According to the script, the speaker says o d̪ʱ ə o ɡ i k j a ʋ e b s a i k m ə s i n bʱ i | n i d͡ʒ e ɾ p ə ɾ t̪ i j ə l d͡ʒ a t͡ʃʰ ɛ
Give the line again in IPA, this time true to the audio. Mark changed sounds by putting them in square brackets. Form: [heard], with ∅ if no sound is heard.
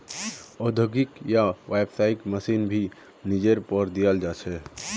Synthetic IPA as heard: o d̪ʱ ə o ɡ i k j a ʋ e b s a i k m ə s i n bʱ i | n i d͡ʒ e ɾ p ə ɾ [d̪] i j ə l d͡ʒ a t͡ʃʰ ɛ